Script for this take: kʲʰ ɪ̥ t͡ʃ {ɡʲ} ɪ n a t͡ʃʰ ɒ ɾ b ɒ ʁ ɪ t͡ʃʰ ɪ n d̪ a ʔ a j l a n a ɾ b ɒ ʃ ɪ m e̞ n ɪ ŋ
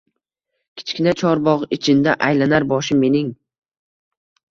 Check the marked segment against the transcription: incorrect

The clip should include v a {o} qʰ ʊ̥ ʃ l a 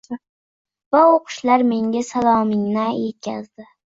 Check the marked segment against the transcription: correct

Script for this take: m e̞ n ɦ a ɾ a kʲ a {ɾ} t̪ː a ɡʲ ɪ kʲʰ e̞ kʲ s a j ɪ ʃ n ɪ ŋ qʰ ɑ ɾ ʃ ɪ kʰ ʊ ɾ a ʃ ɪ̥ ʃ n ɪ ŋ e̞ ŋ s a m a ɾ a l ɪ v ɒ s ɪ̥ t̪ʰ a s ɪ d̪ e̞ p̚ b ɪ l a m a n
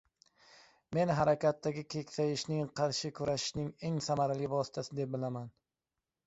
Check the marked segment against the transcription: incorrect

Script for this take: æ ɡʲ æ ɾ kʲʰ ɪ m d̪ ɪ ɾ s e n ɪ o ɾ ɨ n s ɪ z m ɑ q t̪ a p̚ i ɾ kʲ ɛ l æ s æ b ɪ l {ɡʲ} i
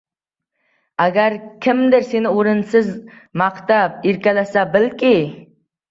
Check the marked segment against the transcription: incorrect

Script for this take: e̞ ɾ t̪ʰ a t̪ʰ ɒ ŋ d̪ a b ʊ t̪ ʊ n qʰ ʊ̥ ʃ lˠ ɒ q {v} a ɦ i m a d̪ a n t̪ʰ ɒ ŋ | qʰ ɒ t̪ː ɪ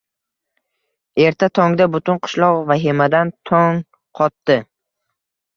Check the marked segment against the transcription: correct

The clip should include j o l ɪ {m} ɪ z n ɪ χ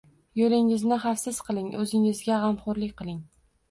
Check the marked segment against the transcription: incorrect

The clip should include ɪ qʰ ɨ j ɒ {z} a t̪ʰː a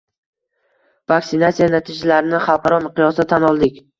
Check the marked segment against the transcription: incorrect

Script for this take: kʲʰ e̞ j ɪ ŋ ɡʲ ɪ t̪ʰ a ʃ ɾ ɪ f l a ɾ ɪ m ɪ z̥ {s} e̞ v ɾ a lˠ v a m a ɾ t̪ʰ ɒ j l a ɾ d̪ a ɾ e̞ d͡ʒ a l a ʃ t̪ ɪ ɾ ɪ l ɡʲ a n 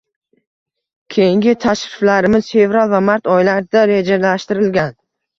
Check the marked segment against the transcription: incorrect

